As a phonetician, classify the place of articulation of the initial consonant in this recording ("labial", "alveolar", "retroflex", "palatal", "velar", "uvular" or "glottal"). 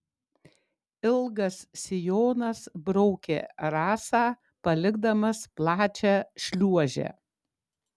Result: alveolar